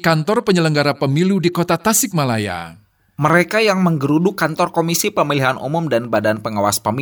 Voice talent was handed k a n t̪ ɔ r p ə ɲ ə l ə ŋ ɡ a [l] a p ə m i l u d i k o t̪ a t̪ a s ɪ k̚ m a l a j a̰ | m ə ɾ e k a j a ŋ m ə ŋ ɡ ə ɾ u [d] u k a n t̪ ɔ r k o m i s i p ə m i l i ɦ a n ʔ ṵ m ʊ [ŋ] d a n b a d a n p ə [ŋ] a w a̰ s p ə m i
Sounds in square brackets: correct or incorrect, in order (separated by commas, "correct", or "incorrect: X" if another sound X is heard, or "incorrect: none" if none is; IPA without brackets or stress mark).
incorrect: ɾ, correct, incorrect: m, correct